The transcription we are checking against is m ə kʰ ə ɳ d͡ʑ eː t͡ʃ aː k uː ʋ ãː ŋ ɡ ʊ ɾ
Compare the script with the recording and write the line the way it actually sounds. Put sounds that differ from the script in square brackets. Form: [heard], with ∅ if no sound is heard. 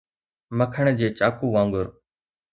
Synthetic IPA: m ə kʰ ə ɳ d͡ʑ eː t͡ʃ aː k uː ʋ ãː ŋ ɡ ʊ ɾ